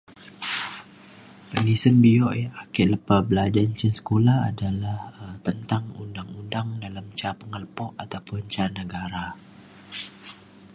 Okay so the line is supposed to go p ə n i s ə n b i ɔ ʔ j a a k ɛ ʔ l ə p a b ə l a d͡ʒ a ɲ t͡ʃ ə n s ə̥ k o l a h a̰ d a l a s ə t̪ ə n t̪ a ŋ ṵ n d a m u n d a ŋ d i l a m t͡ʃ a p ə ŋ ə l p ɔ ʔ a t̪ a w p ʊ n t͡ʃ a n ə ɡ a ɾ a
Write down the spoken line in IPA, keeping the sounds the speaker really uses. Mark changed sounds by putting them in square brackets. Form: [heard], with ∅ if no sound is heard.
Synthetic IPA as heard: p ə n i s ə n b i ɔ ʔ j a a k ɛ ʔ l ə p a b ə l a d͡ʒ a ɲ t͡ʃ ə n s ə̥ k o l a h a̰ d a l a [h] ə t̪ ə n t̪ a ŋ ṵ n d a [ŋ] u n d a ŋ d [a] l a m t͡ʃ a p ə ŋ ə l p ɔ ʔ a t̪ a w p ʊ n t͡ʃ a n ə ɡ a ɾ a